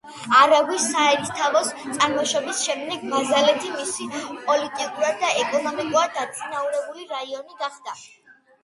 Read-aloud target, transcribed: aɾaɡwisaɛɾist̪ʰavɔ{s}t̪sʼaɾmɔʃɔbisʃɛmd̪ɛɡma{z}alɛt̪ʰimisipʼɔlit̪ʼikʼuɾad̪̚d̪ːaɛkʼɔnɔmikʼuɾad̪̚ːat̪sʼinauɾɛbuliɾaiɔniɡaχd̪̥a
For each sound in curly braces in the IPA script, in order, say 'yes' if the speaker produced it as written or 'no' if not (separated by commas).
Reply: yes, yes